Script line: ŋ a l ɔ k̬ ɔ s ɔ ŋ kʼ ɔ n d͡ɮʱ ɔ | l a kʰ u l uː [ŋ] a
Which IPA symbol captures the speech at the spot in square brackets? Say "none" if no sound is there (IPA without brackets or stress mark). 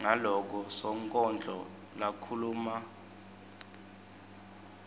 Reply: m